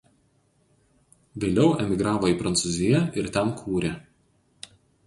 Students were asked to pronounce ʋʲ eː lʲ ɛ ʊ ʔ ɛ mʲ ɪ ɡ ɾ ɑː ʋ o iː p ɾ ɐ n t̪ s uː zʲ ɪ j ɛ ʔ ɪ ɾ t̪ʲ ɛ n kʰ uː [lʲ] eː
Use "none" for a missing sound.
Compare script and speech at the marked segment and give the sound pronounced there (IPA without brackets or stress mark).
ɾʲ